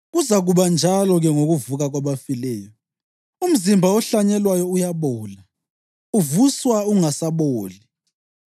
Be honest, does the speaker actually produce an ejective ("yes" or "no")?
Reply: no